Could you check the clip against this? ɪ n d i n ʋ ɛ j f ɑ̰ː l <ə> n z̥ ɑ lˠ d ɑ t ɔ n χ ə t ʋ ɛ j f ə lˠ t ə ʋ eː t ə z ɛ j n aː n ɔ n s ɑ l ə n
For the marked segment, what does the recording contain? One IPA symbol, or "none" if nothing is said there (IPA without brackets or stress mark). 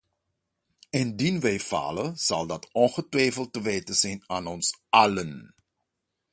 ə